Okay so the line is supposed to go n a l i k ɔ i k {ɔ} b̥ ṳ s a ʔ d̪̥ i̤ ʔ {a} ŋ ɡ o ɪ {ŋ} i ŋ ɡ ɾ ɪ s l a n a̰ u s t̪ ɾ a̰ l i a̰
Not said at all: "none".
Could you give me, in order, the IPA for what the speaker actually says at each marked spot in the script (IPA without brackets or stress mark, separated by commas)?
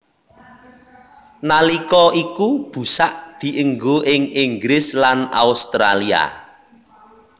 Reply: u, ə, ŋ